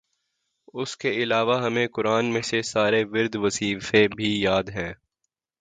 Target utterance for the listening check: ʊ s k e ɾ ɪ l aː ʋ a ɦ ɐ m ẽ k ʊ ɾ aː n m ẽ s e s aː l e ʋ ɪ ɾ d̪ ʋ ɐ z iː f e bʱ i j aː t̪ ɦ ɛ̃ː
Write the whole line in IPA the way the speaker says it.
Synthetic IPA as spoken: ʊ s k e ɪ l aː ʋ a ɦ ɐ m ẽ k ʊ ɾ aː n m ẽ s e s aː ɾ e ʋ ɪ ɾ d̪ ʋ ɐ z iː f e bʱ i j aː d̪ ɦ ɛ̃ː